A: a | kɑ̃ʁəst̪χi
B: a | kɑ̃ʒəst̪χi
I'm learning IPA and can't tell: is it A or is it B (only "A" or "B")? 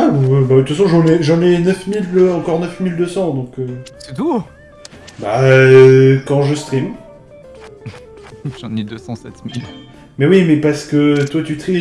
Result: B